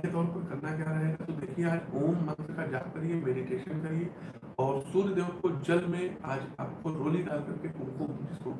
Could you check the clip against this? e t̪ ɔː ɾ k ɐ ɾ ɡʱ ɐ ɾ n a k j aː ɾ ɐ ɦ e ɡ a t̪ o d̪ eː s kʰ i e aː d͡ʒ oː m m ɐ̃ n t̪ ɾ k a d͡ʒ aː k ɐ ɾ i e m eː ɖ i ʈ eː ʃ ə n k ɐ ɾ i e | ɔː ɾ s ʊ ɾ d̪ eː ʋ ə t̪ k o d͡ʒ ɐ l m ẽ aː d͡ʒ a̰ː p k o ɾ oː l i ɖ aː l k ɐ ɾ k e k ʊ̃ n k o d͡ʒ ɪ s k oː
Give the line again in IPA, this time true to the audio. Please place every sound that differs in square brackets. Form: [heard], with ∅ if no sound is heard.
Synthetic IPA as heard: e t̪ ɔː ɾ [p] ɐ ɾ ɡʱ ɐ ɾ n a k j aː ɾ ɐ ɦ e ɡ a t̪ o d̪ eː [∅] kʰ i e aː d͡ʒ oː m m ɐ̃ n t̪ ɾ k a d͡ʒ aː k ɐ ɾ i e m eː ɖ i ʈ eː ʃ ə n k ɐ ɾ i e | ɔː ɾ s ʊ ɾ d̪ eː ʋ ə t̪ k o d͡ʒ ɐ l m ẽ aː d͡ʒ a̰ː p k o ɾ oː l i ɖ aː l k ɐ ɾ k e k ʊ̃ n k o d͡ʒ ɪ s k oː

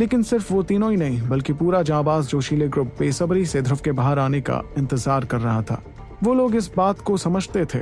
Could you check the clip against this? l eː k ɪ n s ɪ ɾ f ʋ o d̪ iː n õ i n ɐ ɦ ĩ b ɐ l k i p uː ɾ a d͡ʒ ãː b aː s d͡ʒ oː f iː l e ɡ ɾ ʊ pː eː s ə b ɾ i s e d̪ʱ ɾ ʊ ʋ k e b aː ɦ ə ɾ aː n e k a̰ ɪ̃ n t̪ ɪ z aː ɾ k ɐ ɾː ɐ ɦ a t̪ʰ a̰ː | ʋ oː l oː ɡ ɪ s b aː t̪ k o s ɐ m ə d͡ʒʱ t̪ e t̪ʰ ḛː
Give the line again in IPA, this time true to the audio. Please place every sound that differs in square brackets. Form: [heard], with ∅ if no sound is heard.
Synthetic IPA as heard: l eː k ɪ n s ɪ ɾ f ʋ o [t̪] iː n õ i n ɐ ɦ ĩ b ɐ l k i p uː ɾ a d͡ʒ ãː b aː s d͡ʒ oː [ʃ] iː l e ɡ ɾ ʊ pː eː s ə b ɾ i s e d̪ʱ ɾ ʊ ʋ k e b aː ɦ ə ɾ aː n e k a̰ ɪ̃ n t̪ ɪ z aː ɾ k ɐ ɾː ɐ ɦ a t̪ʰ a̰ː | ʋ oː l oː ɡ ɪ s b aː t̪ k o s ɐ m ə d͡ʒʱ t̪ e t̪ʰ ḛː

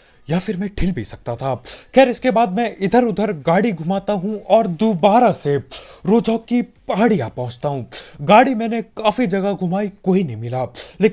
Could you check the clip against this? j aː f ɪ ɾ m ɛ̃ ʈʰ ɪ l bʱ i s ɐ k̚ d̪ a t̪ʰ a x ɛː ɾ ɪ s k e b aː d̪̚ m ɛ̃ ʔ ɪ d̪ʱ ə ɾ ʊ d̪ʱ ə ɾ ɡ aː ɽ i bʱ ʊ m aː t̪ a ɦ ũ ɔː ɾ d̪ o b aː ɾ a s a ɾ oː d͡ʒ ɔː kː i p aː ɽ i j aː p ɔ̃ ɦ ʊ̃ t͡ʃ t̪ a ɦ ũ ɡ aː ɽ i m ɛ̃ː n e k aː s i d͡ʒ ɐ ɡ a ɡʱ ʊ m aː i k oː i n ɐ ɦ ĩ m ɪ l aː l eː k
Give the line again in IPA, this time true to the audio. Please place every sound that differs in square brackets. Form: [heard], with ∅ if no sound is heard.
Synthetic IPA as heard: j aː f ɪ ɾ m ɛ̃ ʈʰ ɪ l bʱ i s ɐ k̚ [t̪] a t̪ʰ a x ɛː ɾ ɪ s k e b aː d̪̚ m ɛ̃ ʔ ɪ d̪ʱ ə ɾ ʊ d̪ʱ ə ɾ ɡ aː ɽ i [ɡʱ] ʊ m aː t̪ a ɦ ũ ɔː ɾ d̪ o b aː ɾ a s [e] ɾ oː d͡ʒ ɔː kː i p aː ɽ i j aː p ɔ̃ ɦ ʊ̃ t͡ʃ t̪ a ɦ ũ ɡ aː ɽ i m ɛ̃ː n e k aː [f] i d͡ʒ ɐ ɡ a ɡʱ ʊ m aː i k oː i n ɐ ɦ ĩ m ɪ l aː l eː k

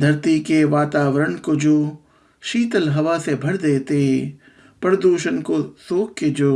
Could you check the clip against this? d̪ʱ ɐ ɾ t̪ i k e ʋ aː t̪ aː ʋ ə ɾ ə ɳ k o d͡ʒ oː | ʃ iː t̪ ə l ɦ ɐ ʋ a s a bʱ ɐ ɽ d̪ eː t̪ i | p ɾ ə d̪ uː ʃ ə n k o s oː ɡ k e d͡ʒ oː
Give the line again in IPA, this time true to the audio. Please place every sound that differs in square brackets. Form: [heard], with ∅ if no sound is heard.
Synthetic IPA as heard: d̪ʱ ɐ ɾ t̪ i k e ʋ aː t̪ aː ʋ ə ɾ ə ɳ k o d͡ʒ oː | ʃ iː t̪ ə l ɦ ɐ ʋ a s [e] bʱ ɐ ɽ d̪ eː t̪ [e] | p ɾ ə d̪ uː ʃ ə n k o s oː [k] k e d͡ʒ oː

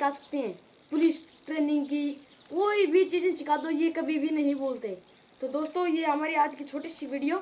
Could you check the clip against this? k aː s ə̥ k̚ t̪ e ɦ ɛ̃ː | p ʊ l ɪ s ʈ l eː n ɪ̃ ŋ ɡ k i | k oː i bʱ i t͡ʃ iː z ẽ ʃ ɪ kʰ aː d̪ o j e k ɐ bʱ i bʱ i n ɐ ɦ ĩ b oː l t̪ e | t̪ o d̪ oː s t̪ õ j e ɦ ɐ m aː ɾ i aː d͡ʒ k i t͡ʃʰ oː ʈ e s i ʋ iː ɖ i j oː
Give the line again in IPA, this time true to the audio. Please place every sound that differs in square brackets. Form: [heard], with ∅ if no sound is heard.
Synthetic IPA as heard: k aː s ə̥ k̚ t̪ e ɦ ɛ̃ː | p ʊ l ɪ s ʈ [ɾ] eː n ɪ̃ ŋ ɡ k i | k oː i bʱ i t͡ʃ iː z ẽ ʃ ɪ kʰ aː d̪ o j e k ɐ bʱ i bʱ i n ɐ ɦ ĩ b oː l t̪ e | t̪ o d̪ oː s t̪ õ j e ɦ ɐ m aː ɾ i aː d͡ʒ k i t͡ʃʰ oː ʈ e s i ʋ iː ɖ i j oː

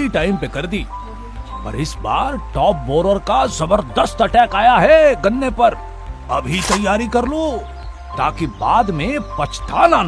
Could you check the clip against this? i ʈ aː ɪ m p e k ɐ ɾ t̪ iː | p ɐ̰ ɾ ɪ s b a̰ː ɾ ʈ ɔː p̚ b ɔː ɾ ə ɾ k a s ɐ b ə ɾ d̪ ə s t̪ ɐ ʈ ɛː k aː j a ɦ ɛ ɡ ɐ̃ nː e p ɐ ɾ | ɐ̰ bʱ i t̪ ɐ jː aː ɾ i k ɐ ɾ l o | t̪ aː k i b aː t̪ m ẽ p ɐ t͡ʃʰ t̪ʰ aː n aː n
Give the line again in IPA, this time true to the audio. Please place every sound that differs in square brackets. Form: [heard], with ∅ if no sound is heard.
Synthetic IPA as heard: i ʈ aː ɪ m p e k ɐ ɾ [d̪] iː | p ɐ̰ ɾ ɪ s b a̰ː ɾ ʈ ɔː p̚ b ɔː ɾ ə ɾ k a [z] ɐ b ə ɾ d̪ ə s t̪ ɐ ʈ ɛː k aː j a ɦ ɛ ɡ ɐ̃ nː e p ɐ ɾ | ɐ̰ bʱ i t̪ ɐ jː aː ɾ i k ɐ ɾ l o | t̪ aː k i b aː [d̪] m ẽ p ɐ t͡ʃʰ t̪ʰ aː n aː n

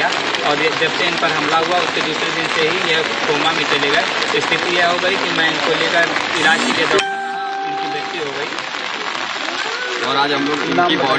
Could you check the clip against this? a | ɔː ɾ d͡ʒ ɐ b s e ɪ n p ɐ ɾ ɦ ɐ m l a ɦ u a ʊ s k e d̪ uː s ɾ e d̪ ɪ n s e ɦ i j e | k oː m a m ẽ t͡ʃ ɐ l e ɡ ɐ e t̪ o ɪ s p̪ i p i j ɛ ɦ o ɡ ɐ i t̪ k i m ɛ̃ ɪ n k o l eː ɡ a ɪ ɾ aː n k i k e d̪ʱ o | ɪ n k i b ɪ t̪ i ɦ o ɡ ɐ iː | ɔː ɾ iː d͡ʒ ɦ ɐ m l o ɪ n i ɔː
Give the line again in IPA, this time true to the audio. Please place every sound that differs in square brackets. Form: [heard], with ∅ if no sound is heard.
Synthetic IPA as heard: a | ɔː ɾ d͡ʒ ɐ b s e ɪ n p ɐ ɾ ɦ ɐ m l a ɦ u a ʊ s k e d̪ uː s ɾ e d̪ ɪ n s e ɦ i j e | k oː m a m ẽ t͡ʃ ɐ l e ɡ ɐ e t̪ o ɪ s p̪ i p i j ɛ ɦ o ɡ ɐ i [∅] k i m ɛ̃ ɪ n k o l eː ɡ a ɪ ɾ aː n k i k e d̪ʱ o | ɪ n k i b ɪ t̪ i ɦ o ɡ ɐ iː | ɔː ɾ [aː] d͡ʒ ɦ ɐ m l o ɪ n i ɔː

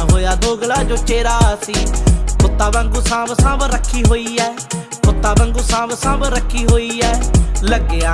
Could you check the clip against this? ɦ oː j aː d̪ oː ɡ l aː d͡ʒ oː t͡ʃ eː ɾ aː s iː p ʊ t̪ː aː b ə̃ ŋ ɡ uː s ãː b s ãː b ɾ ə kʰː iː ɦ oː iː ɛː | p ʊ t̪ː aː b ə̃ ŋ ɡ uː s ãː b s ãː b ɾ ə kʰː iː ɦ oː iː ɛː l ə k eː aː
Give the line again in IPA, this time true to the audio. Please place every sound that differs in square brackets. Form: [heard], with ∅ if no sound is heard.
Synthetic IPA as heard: ɦ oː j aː d̪ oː ɡ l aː d͡ʒ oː t͡ʃ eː ɾ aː s iː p ʊ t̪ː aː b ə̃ ŋ ɡ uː s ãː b s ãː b ɾ ə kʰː iː ɦ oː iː ɛː | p ʊ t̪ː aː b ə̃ ŋ ɡ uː s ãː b s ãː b ɾ ə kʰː iː ɦ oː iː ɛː l ə [ɡ] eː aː

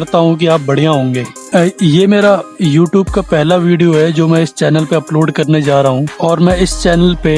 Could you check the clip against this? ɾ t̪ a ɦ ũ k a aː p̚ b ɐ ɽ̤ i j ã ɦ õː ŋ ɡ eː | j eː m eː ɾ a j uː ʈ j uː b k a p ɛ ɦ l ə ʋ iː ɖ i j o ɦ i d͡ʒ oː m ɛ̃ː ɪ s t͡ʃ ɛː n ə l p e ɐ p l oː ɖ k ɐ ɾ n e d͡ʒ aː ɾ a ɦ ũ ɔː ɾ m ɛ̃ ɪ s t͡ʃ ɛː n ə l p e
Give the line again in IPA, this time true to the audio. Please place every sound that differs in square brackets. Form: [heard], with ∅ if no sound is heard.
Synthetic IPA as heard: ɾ t̪ a ɦ ũ k [i] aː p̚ b ɐ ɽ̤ i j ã ɦ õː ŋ ɡ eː | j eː m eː ɾ a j uː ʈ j uː b k a p ɛ ɦ l [a] ʋ iː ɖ i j o ɦ [ɛ] d͡ʒ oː m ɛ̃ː ɪ s t͡ʃ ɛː n ə l p e ɐ p l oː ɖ k ɐ ɾ n e d͡ʒ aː ɾ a ɦ ũ ɔː ɾ m ɛ̃ ɪ s t͡ʃ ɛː n ə l p e

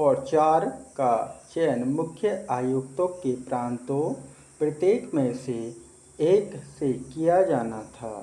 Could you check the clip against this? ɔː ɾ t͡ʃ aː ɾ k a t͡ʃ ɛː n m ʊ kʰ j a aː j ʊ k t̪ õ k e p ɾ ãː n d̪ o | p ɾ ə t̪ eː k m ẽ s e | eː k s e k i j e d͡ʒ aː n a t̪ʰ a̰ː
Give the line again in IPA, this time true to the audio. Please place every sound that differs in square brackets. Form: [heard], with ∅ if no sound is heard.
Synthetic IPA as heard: ɔː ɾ t͡ʃ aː ɾ k a t͡ʃ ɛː n m ʊ kʰ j [ə] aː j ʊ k t̪ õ k e p ɾ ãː n [t̪] o | p ɾ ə t̪ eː k m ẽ s e | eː k s e k i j [a] d͡ʒ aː n a t̪ʰ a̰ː

